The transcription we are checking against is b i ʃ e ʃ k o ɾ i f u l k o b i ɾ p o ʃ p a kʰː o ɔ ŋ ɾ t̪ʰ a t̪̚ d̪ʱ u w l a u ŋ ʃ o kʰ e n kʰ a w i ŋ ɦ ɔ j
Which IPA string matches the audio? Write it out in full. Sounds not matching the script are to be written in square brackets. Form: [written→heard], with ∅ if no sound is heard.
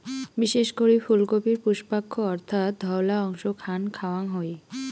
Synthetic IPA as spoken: b i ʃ e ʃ k o ɾ i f u l k o [b→p] i ɾ p [o→u] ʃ p a kʰː o ɔ [ŋ→∅] ɾ t̪ʰ a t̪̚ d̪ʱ [u→ɔ] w l a [u→ɔ] ŋ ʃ o kʰ [e→a] n kʰ a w [i→a] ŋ ɦ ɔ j